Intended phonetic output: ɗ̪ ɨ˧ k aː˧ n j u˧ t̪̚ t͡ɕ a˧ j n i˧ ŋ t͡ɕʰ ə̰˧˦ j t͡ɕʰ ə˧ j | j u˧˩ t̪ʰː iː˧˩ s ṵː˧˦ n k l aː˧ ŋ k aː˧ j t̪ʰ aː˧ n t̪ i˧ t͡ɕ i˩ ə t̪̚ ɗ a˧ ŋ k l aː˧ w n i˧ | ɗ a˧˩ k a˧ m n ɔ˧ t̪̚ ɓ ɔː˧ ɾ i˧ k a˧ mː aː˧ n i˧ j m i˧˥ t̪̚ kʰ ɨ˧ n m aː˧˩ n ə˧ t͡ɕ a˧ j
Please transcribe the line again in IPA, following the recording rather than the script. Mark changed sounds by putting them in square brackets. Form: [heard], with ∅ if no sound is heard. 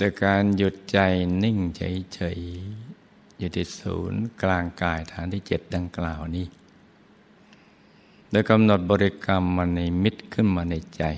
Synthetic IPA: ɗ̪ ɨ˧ k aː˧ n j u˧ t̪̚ t͡ɕ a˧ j n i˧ ŋ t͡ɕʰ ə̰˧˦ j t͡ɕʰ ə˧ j | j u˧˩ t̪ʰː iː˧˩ s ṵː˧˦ n k l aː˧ ŋ k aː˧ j t̪ʰ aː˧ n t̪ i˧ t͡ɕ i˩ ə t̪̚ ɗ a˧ ŋ k l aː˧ w n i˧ | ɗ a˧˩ k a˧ m n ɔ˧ t̪̚ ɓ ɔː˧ ɾ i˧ k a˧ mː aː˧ n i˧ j m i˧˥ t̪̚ kʰ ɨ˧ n m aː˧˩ n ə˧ t͡ɕ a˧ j